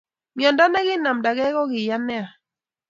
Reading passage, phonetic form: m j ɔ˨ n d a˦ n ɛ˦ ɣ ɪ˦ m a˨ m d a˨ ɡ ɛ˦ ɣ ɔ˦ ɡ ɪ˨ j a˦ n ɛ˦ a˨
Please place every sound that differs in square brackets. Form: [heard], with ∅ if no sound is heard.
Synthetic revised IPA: m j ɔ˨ n d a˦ n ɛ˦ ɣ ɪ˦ [n] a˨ m d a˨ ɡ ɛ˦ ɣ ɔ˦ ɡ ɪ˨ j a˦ n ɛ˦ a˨